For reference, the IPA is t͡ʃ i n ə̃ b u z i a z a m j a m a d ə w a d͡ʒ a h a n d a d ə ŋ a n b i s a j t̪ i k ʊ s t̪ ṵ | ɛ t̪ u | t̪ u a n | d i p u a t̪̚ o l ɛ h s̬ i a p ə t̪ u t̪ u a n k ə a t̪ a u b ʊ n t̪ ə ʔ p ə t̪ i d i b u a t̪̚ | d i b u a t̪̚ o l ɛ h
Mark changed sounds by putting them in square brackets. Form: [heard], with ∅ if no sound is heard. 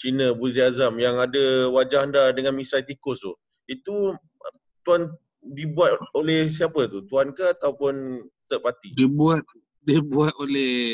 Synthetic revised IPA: t͡ʃ i n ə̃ b u z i a z a m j a [ŋ] a d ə w a d͡ʒ a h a n d a d ə ŋ a n [m] i s a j t̪ i k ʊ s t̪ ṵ | [i] t̪ u | t̪ u a n | d i [b] u a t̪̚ o l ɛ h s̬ i a p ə t̪ u t̪ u a n k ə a t̪ a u [p] ʊ n t̪ ə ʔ p [a] t̪ i d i b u a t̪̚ | d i b u a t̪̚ o l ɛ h